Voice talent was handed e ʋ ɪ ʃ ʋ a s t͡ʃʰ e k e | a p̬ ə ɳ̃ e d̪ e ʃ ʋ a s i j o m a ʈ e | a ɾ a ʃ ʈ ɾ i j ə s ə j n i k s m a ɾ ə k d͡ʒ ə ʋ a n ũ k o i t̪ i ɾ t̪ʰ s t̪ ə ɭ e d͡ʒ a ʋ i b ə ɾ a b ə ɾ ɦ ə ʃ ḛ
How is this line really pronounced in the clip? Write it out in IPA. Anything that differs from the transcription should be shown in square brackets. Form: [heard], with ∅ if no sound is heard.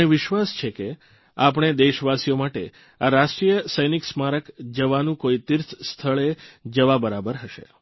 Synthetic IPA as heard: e ʋ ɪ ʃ ʋ a s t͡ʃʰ e k e | a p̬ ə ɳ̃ e d̪ e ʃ ʋ a s i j o m a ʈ e | a ɾ a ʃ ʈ ɾ i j ə s ə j n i k s m a ɾ ə k d͡ʒ ə ʋ a n ũ k o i t̪ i ɾ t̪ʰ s [t̪ʰ] ə ɭ e d͡ʒ [ə] ʋ [a] b ə ɾ a b ə ɾ ɦ ə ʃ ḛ

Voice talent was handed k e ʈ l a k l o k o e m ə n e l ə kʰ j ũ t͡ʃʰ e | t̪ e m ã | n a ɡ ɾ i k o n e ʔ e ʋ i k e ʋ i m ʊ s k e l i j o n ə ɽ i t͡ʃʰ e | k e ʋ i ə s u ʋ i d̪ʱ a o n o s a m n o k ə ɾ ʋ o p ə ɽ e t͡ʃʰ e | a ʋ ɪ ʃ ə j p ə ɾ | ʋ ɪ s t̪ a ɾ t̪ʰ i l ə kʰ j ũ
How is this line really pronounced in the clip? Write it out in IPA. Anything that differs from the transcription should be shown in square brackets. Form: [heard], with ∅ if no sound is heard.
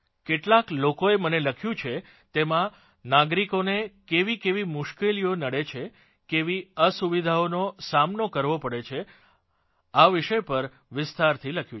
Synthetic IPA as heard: k e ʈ l a k l o k o e m ə n e l ə kʰ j ũ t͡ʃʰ e | t̪ e m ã | n a ɡ ɾ i k o n e [k] e ʋ i k e ʋ i m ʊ [ʃ] k e l i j o n ə ɽ [e] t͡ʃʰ e | k e ʋ i ə s u ʋ i d̪ʱ a o n o s a m n o k ə ɾ ʋ o p ə ɽ e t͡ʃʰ e | a ʋ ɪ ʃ ə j p ə ɾ | ʋ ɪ s t̪ a ɾ t̪ʰ i l ə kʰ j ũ

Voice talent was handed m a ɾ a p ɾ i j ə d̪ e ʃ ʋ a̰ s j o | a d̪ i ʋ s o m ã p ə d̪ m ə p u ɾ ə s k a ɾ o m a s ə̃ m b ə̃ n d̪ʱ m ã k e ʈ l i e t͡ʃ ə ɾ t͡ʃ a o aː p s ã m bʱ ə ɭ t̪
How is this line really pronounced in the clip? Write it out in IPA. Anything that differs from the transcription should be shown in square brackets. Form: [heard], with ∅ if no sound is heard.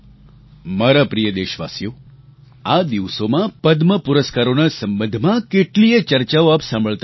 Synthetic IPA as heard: m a ɾ a p ɾ i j ə d̪ e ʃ ʋ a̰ s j o | a d̪ i ʋ s o m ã p ə d̪ m ə p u ɾ ə s k a ɾ o [n] a s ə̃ m b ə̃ n d̪ʱ m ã k e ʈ l i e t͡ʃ ə ɾ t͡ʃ a o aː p s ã m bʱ ə ɭ t̪

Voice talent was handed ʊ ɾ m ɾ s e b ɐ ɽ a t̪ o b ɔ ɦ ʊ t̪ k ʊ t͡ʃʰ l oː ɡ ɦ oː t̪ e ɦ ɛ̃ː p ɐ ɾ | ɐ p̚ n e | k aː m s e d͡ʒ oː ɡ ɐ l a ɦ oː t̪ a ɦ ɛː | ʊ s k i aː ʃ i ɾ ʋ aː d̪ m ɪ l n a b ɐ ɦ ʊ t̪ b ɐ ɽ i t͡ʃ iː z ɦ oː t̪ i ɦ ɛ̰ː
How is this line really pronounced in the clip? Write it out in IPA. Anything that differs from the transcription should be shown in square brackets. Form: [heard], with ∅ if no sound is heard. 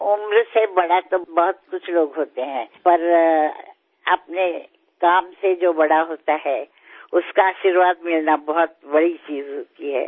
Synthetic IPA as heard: ʊ [∅] m ɾ s e b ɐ ɽ a t̪ o b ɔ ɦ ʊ t̪ k ʊ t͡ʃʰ l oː ɡ ɦ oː t̪ e ɦ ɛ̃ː p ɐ ɾ | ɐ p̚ n e | k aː m s e d͡ʒ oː [b] ɐ [ɽ] a ɦ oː t̪ a ɦ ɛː | ʊ s k [a] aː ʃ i ɾ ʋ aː d̪ m ɪ l n a b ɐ ɦ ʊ t̪ b ɐ ɽ i t͡ʃ iː z ɦ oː t̪ i ɦ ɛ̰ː

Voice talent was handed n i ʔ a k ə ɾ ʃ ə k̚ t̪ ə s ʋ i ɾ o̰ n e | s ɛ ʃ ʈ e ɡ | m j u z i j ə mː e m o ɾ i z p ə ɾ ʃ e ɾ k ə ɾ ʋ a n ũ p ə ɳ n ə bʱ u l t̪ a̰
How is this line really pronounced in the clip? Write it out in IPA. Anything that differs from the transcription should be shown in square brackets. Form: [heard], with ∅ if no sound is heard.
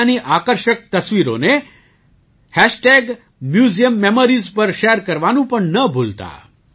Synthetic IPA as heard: n i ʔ a k ə ɾ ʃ ə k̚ t̪ ə s ʋ i ɾ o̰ n e | [h] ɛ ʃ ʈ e ɡ | m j u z i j ə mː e m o ɾ i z p ə ɾ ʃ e ɾ k ə ɾ ʋ a n ũ p ə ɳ n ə bʱ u l t̪ a̰

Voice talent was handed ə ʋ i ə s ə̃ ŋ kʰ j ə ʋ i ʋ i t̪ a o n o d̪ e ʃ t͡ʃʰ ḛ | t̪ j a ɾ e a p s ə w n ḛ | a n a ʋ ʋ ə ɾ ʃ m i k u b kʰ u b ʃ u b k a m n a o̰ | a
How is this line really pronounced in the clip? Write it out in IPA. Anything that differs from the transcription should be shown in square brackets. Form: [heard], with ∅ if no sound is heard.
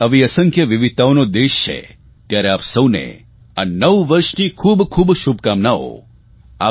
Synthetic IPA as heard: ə ʋ i ə s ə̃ ŋ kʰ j ə ʋ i ʋ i t̪ a o n o d̪ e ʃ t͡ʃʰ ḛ | t̪ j a ɾ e a p s ə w n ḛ | a n [ə] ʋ ʋ ə ɾ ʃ [n] i [kʰ] u b kʰ u b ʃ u b k a m n a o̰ | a

